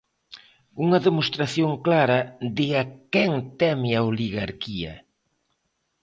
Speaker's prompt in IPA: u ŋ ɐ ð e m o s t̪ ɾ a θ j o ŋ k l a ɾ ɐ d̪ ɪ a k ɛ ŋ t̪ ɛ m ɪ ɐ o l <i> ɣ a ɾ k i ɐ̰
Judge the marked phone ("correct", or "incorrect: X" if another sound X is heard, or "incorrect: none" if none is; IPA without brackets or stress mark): correct